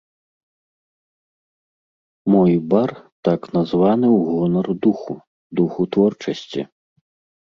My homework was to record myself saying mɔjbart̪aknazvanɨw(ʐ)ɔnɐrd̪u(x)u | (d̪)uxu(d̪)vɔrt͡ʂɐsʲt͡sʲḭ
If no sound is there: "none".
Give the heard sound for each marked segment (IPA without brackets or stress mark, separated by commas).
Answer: ɣ, x, d̪, t̪